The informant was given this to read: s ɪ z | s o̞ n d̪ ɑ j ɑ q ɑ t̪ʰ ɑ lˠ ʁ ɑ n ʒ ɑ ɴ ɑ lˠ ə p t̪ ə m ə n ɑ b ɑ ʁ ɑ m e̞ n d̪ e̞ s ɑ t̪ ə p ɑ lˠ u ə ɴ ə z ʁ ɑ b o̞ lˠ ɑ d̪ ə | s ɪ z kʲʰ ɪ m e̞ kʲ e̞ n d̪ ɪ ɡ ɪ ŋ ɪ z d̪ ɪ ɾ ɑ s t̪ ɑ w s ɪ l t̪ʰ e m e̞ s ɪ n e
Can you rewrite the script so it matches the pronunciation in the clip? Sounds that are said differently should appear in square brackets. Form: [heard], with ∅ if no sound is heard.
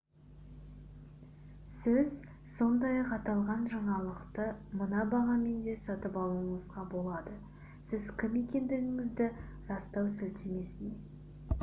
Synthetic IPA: s ɪ z | s o̞ n d̪ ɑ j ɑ q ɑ [t̪] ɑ lˠ ʁ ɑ n ʒ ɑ ɴ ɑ lˠ ə [q] t̪ ə m ə n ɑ b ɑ ʁ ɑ m e̞ n d̪ e̞ s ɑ t̪ ə p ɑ lˠ u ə ɴ ə z ʁ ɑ b o̞ lˠ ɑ d̪ ə | s ɪ z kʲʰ ɪ m e̞ kʲ e̞ n d̪ ɪ ɡ ɪ ŋ ɪ z d̪ ɪ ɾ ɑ s t̪ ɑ w s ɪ l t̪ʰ e m e̞ s ɪ n e

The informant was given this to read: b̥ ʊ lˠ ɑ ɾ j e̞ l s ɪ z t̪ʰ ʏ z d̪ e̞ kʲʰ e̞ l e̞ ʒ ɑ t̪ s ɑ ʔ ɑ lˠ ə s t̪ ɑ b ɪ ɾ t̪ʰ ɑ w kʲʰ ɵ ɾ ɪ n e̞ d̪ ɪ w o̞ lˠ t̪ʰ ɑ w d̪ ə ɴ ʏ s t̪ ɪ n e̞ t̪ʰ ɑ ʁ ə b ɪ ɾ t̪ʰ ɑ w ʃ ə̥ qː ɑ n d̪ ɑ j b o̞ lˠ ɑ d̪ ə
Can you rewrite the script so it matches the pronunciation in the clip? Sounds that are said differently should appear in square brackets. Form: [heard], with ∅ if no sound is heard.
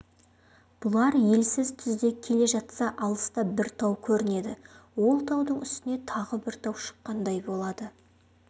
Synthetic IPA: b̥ ʊ lˠ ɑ ɾ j e̞ l s ɪ z t̪ʰ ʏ z d̪ e̞ kʲʰ e̞ l e̞ ʒ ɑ t̪ s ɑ ʔ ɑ lˠ ə s t̪ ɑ b ɪ ɾ t̪ʰ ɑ w kʲʰ ɵ ɾ ɪ n e̞ d̪ ɪ w o̞ lˠ t̪ʰ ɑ w d̪ ə ɴ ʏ s t̪ ɪ n e̞ t̪ʰ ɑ ʁ ə b ɪ ɾ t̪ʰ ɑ w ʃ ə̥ qː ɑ n d̪ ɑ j b o̞ lˠ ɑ d̪ ə

